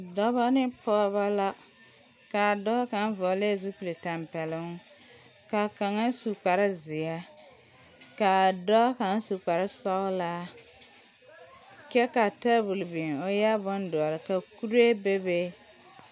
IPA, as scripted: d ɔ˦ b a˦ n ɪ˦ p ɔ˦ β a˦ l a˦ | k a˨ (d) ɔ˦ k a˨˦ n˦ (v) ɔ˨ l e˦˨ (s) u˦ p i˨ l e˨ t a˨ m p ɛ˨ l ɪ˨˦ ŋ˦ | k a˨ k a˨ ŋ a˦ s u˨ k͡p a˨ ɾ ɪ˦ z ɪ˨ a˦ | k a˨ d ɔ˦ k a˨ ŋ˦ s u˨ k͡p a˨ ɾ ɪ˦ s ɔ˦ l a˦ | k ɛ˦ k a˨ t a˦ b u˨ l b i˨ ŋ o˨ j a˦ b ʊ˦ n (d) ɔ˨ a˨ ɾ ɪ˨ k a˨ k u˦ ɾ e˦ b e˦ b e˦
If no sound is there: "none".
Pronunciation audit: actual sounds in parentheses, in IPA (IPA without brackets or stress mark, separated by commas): d, v, z, d